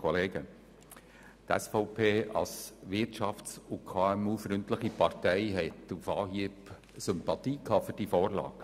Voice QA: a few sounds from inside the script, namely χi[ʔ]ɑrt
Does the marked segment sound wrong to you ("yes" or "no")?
yes